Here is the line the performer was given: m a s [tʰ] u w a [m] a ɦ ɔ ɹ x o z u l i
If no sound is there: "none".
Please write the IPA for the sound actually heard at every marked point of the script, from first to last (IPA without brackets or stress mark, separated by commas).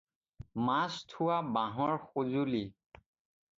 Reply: tʰ, b